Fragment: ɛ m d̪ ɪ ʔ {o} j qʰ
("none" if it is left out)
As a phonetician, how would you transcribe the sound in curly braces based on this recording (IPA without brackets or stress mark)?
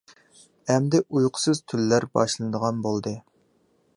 u